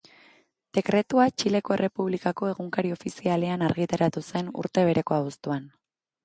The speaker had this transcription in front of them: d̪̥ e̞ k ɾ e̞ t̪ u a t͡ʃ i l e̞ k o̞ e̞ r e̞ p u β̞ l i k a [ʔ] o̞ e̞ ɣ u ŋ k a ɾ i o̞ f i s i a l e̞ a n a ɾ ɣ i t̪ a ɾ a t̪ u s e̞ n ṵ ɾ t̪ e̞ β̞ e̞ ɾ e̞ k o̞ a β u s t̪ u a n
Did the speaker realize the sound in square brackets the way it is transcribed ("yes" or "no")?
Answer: no